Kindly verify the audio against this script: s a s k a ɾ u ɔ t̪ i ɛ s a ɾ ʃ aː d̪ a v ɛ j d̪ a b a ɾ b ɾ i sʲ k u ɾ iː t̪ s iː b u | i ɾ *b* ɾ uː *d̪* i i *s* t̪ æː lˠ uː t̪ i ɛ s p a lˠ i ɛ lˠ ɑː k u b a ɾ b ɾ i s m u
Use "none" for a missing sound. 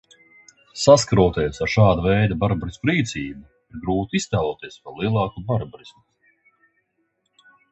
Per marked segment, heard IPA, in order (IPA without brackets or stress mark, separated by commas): ɡ, t̪, s